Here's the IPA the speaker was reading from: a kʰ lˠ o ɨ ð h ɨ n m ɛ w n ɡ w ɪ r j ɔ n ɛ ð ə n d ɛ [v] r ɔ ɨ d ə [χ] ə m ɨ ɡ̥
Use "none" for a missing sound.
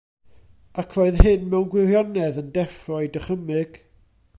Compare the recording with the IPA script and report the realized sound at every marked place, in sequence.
f, χ

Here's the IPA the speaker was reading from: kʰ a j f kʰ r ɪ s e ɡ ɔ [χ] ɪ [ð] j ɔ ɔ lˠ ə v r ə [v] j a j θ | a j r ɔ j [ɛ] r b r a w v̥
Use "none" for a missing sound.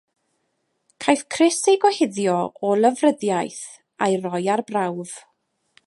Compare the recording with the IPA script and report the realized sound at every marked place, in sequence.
h, ð, ð, a

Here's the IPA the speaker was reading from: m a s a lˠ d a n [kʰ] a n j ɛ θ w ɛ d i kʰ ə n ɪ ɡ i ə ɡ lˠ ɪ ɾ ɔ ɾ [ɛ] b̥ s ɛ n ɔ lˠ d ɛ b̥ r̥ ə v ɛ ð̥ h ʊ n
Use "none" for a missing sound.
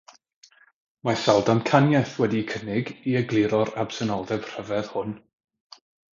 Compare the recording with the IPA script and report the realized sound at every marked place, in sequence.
kʰ, a

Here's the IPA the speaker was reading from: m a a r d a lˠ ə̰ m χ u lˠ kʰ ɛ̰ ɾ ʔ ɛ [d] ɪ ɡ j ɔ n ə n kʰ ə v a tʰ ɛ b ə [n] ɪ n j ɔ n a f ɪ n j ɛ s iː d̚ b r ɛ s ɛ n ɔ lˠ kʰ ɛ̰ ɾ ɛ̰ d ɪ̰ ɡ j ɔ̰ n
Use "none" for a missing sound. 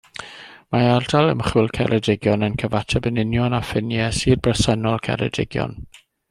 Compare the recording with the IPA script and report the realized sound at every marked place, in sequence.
d, n

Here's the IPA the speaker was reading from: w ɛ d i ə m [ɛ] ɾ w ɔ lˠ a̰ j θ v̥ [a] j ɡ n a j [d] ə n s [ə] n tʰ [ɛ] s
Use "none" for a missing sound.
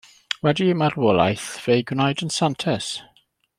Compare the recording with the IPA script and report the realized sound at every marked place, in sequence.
a, e, d, a, ɛ

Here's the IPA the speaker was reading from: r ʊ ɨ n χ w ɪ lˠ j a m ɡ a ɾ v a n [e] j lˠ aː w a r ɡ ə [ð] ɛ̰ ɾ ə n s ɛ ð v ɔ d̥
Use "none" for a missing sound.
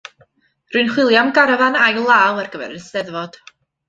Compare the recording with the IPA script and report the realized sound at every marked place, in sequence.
a, v

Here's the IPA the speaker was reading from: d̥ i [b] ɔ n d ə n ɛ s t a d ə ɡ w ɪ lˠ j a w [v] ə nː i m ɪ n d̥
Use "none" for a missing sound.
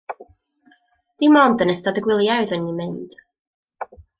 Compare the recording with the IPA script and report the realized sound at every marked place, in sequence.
m, ð

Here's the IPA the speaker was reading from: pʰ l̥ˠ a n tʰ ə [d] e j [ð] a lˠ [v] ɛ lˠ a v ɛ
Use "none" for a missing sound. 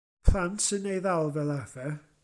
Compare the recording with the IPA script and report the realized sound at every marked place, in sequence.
n, ð, v

